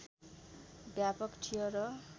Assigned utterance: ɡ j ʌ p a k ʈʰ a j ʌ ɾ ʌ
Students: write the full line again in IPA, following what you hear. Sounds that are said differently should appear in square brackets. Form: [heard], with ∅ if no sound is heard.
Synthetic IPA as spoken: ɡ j [a] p [ʌ] k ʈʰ [i] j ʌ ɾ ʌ